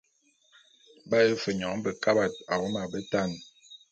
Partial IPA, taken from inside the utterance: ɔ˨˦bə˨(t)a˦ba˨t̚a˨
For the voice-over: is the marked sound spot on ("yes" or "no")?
no